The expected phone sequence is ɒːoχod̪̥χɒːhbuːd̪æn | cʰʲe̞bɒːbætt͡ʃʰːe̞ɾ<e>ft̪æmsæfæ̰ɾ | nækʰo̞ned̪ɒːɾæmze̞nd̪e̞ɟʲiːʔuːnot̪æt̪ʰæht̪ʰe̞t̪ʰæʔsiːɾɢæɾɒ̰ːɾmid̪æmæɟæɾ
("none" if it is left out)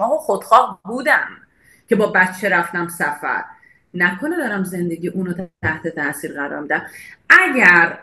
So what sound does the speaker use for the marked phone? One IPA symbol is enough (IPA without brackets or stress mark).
æ